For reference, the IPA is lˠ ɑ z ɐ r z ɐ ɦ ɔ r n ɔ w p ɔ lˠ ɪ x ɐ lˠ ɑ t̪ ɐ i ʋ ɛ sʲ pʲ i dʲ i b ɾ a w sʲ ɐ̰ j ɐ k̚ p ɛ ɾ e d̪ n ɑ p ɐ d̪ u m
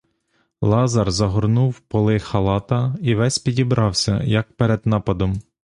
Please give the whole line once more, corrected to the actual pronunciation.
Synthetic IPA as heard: lˠ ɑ z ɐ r z ɐ ɦ ɔ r n u w p ɔ lˠ ɪ x ɐ lˠ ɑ t̪ ɐ i ʋ ɛ sʲ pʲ i dʲ i b ɾ ɑ w sʲ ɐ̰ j ɐ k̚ p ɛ ɾ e d̪ n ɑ p ɐ d̪ ɔ m